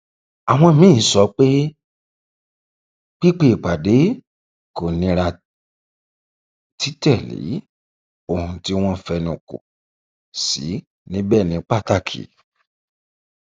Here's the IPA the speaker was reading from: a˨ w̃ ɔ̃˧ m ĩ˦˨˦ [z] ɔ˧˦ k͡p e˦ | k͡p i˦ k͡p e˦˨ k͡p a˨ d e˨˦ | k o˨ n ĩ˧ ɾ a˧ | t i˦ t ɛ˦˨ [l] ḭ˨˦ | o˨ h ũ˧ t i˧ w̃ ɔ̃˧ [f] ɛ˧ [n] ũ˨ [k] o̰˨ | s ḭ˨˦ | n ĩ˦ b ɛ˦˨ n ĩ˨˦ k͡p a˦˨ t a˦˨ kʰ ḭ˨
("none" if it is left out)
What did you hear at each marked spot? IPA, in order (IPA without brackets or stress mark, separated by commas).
s, l, f, n, k